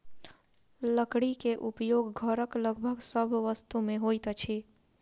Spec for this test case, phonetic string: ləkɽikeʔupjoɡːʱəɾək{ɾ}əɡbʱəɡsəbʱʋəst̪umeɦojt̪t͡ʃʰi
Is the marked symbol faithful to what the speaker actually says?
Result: no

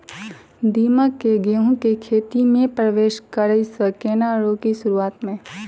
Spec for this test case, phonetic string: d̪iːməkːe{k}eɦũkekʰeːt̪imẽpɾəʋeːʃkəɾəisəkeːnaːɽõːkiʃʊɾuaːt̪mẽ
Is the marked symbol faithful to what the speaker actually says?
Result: no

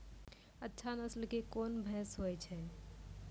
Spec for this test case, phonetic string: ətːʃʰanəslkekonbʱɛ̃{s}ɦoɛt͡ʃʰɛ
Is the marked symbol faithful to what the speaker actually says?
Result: yes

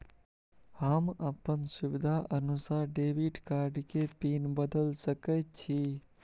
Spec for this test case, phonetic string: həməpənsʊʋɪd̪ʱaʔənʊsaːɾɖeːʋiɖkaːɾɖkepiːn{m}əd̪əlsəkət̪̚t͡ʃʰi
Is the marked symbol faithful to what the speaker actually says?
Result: no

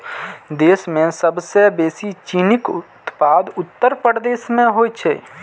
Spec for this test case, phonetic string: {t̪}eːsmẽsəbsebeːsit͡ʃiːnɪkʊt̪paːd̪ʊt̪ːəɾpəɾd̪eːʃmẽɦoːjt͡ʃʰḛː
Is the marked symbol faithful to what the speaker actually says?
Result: no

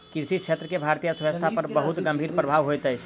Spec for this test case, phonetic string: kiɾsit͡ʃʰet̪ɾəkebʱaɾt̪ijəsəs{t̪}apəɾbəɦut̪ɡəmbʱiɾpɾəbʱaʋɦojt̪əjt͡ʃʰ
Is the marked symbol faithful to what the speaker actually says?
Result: no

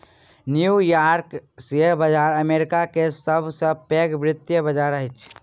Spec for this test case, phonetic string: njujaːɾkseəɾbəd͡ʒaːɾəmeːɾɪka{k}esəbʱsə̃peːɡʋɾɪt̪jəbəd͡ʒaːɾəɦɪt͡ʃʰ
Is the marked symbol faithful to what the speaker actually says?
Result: yes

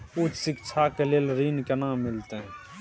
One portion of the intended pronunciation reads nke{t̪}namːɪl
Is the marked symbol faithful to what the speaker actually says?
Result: no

